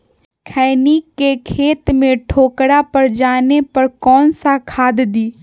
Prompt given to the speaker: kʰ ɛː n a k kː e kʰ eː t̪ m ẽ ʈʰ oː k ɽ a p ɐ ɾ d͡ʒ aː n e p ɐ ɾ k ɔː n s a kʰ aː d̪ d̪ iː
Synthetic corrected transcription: kʰ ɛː n i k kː e kʰ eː t̪ m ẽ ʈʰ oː k ɽ a p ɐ ɾ d͡ʒ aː n e p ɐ ɾ k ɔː n s a kʰ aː d̪ d̪ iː